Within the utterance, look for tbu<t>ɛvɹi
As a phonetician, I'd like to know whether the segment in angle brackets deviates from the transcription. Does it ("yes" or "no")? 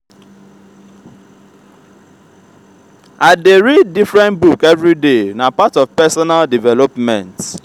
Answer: yes